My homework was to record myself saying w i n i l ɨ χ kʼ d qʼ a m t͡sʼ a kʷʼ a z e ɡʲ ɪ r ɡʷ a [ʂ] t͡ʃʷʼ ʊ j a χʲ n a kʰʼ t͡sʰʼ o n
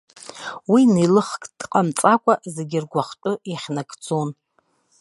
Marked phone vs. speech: incorrect: χ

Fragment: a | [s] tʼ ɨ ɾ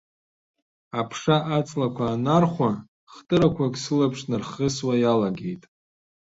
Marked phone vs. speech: incorrect: χ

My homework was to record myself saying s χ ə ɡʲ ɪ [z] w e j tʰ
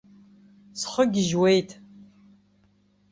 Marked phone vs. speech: incorrect: ʒ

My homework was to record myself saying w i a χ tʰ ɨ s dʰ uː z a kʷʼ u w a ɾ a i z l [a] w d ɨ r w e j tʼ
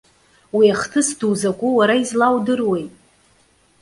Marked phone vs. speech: correct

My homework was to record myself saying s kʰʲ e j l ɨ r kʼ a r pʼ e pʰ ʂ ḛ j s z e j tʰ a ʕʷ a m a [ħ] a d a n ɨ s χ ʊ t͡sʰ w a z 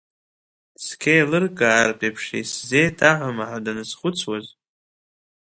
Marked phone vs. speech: correct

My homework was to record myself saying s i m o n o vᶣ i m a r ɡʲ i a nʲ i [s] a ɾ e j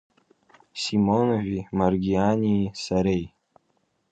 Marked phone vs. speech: correct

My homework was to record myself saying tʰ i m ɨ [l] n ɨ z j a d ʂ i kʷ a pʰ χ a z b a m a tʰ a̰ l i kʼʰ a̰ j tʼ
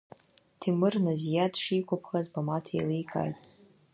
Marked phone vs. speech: incorrect: r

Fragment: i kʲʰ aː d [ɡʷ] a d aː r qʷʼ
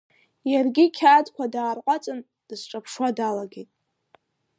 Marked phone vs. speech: incorrect: kʷ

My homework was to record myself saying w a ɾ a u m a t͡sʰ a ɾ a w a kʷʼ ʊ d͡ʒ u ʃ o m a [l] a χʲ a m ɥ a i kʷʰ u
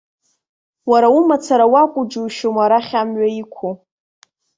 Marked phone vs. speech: incorrect: ɾ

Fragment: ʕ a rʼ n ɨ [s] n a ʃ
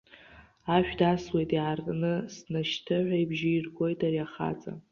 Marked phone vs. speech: correct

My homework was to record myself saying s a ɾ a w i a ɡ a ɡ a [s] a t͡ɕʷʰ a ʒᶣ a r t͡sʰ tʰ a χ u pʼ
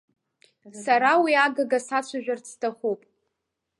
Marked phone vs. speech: correct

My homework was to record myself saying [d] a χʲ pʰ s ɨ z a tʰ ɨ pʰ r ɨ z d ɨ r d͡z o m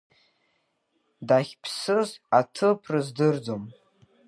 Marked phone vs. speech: correct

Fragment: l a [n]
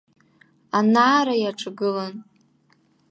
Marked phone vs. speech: correct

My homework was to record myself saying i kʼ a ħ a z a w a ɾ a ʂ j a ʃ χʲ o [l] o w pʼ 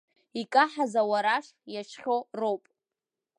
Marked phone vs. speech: incorrect: r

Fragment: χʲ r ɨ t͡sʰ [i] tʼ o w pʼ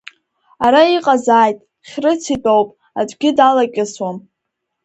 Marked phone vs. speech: correct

